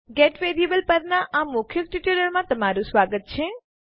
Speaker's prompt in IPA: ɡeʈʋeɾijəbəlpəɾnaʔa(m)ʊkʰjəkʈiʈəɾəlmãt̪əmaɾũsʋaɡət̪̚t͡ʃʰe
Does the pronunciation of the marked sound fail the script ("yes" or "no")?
no